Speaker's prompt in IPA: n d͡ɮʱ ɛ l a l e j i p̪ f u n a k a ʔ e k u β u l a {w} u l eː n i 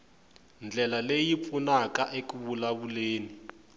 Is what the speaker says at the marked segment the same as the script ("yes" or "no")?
no